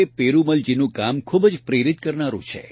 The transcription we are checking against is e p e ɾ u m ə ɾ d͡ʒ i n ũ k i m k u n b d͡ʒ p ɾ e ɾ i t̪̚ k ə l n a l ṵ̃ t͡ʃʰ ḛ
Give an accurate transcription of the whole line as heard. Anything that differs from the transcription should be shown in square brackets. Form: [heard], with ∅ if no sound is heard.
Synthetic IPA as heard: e p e ɾ u m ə [l] d͡ʒ i n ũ k [a] m [kʰ] u [∅] b d͡ʒ p ɾ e ɾ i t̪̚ k ə [ɾ] n a [ɾ] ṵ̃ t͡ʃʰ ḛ